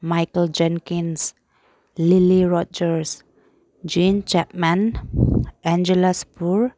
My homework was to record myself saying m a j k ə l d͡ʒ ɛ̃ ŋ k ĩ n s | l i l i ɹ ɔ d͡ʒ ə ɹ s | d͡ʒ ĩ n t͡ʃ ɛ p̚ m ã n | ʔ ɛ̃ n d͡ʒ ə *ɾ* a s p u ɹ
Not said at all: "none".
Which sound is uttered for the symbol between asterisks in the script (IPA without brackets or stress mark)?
l